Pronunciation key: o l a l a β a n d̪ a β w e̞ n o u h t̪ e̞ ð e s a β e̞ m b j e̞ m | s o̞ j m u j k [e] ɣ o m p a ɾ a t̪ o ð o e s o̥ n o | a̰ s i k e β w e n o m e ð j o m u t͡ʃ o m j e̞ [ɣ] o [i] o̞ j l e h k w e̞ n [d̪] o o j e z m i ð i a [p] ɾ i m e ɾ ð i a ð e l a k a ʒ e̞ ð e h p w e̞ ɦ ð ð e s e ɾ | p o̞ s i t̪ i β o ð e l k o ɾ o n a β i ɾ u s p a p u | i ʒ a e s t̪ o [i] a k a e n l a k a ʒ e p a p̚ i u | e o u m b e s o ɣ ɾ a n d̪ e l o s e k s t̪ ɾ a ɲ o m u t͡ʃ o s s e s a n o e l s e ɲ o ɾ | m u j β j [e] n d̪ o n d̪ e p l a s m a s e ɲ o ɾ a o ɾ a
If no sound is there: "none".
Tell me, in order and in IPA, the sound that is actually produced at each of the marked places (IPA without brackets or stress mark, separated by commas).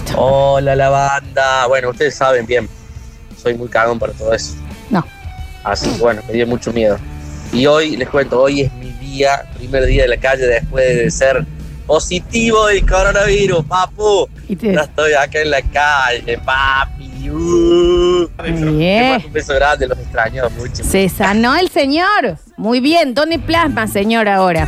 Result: a, ð, i, t̪, p, j, e